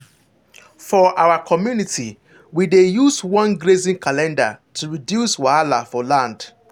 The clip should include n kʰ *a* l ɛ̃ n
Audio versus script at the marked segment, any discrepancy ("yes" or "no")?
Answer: no